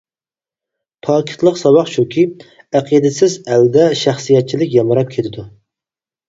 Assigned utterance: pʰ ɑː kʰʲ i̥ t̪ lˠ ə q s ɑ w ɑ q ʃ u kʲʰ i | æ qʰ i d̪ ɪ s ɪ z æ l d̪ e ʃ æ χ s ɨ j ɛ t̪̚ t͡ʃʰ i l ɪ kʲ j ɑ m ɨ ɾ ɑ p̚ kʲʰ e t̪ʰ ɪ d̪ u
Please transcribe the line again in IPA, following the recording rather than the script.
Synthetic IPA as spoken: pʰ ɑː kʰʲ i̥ t̪ lˠ ə q s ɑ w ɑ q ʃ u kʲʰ i | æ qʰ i d̪ ɪ s ɪ z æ l d̪ ɛ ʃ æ χ s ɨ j ɛ t̪̚ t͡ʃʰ i l ɪ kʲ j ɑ m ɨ ɾ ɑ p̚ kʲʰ e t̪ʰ ɪ d̪ u